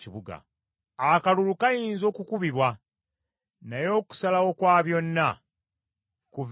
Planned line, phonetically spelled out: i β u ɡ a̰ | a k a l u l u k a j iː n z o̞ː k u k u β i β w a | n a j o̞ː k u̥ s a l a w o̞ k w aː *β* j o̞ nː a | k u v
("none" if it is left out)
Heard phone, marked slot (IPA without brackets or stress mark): β